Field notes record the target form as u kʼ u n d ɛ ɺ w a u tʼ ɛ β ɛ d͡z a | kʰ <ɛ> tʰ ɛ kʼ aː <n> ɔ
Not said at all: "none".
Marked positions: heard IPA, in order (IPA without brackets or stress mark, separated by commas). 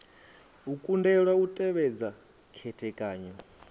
ɛ, ɲ